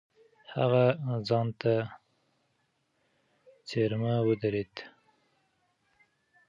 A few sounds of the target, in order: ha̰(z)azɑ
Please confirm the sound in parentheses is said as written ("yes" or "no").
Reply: no